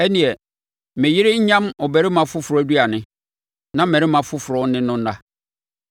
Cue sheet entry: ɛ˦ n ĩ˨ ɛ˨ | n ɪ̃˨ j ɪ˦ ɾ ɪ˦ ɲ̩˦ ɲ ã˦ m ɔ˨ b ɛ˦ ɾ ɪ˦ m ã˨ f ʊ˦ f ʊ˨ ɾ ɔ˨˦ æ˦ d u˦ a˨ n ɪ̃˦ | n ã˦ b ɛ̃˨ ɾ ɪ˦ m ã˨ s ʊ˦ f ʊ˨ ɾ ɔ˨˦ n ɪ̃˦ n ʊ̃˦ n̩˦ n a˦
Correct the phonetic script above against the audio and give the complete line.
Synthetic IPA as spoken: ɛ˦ n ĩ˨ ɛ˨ | m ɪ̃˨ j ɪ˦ ɾ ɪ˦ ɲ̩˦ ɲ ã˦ m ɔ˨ b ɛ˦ ɾ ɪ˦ m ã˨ f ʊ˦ f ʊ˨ ɾ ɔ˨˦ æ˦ d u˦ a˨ n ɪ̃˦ | n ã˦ m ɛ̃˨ ɾ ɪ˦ m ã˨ f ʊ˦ f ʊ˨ ɾ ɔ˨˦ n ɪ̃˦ n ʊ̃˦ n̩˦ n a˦